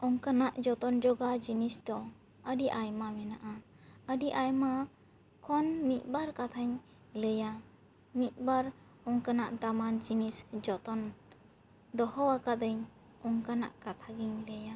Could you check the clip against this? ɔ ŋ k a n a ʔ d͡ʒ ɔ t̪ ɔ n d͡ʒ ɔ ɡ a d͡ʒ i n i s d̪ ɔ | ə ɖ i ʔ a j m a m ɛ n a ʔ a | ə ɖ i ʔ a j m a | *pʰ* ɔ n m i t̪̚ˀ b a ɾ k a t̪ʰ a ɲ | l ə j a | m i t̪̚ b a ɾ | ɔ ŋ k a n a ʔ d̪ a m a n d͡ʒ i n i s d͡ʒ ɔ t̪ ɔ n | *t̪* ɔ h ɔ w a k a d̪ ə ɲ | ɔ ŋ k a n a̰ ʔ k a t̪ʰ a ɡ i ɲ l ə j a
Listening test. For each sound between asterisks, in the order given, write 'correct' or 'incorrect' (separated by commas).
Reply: incorrect, incorrect